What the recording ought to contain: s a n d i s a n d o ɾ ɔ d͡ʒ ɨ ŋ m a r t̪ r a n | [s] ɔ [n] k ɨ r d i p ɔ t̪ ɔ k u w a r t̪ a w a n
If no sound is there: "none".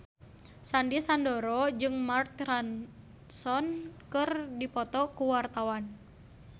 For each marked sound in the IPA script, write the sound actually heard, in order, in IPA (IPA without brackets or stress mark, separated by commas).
s, n